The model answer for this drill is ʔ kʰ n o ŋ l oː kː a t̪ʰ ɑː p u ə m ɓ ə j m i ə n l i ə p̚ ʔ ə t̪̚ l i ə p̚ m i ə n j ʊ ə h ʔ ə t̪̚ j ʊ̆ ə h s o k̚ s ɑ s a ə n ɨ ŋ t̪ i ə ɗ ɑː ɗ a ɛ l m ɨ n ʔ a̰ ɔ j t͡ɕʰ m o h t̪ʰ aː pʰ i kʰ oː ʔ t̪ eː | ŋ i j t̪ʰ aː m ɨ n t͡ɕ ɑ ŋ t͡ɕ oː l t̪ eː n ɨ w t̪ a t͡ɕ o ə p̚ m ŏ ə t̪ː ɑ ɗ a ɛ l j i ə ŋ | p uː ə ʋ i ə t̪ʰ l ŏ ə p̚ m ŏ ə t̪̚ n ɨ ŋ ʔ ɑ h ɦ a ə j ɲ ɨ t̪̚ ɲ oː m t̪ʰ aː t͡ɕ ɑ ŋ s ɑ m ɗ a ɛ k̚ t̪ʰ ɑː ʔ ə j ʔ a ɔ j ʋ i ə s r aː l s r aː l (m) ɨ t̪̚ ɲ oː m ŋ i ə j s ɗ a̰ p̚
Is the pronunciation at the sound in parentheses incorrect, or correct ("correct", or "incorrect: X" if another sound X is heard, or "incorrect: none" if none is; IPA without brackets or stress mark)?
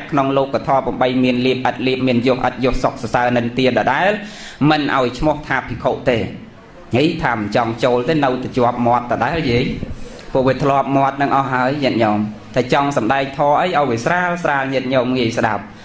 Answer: incorrect: ɲ